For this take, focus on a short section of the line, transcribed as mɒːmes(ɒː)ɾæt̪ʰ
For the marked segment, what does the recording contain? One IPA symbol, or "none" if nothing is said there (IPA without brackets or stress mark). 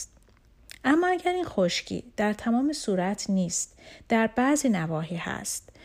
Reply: uː